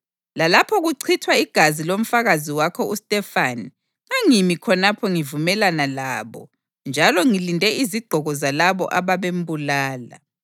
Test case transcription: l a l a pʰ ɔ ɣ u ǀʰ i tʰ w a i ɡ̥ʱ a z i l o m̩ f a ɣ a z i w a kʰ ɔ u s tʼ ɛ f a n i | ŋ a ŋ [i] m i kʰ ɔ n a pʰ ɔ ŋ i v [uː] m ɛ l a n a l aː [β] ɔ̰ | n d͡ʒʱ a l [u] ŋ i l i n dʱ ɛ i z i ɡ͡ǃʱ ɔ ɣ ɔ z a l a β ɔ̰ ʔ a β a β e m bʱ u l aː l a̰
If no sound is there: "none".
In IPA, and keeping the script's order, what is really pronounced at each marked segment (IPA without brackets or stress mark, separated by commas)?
i, u, β, ɔ